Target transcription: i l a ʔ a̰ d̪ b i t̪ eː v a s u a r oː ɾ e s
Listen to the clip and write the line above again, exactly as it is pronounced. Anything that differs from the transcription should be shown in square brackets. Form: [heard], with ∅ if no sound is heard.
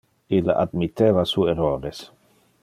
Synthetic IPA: i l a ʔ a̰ d̪ [m] i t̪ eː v a s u [e] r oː ɾ e s